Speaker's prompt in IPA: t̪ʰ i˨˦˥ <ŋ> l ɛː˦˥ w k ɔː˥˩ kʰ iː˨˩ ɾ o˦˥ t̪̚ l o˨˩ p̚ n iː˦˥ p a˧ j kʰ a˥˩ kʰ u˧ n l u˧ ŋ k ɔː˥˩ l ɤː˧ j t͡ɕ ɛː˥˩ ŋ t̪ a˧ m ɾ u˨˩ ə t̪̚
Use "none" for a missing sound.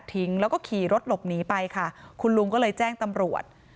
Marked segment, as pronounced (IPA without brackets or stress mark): ŋ